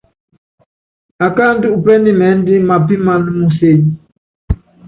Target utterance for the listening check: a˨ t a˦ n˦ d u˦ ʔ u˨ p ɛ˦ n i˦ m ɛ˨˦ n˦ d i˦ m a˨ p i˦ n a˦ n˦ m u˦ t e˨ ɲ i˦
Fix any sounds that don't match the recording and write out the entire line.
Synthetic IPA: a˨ k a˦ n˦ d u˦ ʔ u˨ p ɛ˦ n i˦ m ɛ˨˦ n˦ d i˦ m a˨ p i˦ m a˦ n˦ m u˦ s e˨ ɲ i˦